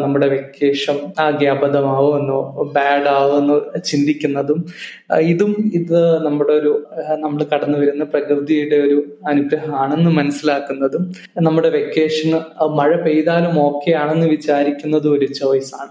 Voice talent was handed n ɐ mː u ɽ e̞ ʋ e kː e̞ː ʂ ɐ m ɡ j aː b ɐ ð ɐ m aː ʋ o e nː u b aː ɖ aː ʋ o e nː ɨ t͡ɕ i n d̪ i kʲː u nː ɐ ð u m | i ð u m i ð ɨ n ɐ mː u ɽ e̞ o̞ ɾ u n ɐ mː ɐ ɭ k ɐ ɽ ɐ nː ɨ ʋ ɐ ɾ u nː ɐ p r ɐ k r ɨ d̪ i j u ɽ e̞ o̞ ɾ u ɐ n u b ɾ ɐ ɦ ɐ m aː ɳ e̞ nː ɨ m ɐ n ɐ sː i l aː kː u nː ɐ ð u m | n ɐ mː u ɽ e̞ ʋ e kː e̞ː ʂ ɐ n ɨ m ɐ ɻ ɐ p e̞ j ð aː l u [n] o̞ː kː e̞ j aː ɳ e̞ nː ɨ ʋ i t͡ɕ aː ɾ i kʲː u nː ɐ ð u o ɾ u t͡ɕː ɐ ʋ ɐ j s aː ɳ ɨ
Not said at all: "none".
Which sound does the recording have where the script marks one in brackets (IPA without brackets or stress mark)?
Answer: m